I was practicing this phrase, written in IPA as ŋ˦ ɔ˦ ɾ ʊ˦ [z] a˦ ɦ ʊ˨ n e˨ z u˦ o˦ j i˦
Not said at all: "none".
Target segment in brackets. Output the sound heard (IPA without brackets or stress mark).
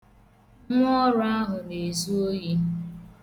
none